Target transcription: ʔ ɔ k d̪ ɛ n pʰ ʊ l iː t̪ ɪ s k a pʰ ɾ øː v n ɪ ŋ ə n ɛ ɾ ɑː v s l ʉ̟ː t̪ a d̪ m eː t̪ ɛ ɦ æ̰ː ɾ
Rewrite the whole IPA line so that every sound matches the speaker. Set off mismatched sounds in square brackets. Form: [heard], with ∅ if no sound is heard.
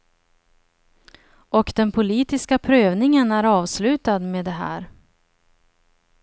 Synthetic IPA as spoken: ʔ ɔ k d̪ ɛ n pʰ ʊ l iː t̪ ɪ s k a pʰ ɾ øː v n ɪ ŋ ə n [æ] ɾ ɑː v s l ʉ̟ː t̪ a d̪ m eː [d̪] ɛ ɦ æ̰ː ɾ